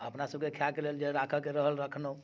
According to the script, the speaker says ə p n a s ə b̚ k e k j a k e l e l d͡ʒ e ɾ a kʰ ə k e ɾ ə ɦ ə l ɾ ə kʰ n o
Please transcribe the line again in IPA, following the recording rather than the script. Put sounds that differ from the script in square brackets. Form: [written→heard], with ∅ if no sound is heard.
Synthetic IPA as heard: ə p n a s ə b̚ k e [k→kʰ] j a k e l e l d͡ʒ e ɾ a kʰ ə k e ɾ ə ɦ ə l ɾ ə kʰ n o